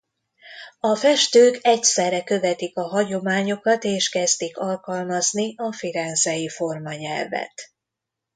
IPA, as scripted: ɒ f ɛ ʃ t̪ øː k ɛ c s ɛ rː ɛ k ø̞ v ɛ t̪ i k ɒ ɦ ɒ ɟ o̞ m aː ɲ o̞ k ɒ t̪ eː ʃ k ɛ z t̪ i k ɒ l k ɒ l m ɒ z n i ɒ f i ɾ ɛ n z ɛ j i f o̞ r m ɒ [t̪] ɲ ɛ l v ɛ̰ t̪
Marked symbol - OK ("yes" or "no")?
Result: no